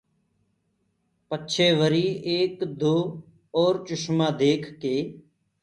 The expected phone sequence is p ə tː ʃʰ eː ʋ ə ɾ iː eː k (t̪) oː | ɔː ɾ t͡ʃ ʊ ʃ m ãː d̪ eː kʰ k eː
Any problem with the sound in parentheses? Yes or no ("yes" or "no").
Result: yes